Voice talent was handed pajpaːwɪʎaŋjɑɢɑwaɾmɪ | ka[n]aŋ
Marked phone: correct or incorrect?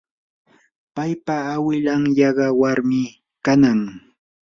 correct